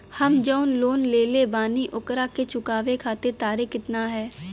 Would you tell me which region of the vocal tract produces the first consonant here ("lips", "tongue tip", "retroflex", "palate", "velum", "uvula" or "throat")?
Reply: throat